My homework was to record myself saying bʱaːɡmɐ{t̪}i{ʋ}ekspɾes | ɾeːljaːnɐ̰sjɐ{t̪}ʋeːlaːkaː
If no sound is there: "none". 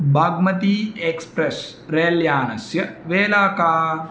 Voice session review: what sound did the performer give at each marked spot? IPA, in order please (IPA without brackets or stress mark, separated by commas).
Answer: t̪, none, none